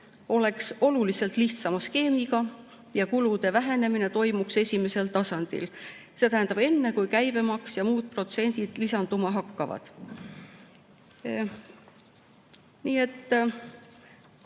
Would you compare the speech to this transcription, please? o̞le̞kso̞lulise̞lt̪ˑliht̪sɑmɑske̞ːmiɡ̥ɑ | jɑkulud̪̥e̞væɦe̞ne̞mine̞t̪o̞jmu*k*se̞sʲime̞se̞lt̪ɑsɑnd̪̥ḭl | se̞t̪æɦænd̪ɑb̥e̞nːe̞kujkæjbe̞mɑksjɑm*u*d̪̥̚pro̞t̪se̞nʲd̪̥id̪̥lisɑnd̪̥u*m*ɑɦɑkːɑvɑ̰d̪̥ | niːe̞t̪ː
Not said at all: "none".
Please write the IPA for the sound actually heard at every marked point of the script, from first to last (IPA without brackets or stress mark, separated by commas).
k, uː, m